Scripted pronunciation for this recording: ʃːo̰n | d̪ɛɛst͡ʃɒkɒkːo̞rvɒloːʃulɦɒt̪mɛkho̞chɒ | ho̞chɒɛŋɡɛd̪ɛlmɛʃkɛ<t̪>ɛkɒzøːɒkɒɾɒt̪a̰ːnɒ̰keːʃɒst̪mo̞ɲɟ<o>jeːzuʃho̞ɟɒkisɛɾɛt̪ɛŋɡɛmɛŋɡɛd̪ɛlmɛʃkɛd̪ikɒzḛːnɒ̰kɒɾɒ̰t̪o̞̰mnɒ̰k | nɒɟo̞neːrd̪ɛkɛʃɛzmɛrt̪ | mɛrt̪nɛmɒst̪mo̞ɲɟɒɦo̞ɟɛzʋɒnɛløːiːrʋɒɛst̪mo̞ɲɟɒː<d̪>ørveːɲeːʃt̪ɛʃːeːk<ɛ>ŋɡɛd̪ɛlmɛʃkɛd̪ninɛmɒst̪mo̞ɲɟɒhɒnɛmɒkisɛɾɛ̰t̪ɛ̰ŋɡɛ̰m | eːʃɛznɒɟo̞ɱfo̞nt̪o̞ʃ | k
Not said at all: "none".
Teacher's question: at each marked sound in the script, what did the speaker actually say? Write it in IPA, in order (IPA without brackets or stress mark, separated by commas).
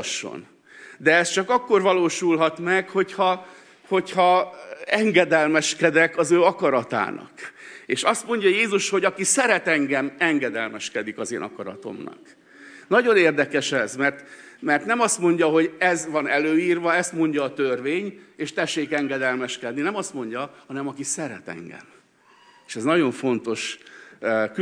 d̪, ɒ, t̪, ɛ